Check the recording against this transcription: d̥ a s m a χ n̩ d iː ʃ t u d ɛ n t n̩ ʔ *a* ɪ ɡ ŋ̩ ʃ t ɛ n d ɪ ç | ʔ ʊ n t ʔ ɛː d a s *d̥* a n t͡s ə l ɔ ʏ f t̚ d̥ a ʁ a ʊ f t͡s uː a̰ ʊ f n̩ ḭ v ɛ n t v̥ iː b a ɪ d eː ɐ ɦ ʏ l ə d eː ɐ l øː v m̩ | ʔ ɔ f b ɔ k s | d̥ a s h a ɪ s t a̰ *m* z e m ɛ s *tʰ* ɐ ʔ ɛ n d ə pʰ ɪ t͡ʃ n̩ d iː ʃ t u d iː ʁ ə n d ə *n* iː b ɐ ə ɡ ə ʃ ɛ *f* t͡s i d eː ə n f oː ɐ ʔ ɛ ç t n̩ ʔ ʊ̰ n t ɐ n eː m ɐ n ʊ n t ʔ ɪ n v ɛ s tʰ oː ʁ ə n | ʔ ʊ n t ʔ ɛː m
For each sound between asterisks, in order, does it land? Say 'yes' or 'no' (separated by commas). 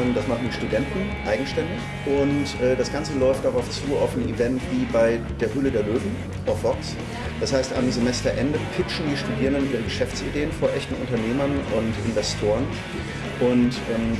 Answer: yes, no, yes, no, yes, yes